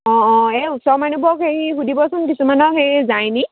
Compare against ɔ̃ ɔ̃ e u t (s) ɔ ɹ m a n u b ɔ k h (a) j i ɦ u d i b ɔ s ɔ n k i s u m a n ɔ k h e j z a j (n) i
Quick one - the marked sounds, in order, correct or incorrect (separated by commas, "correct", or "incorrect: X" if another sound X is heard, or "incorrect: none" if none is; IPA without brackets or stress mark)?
correct, incorrect: e, correct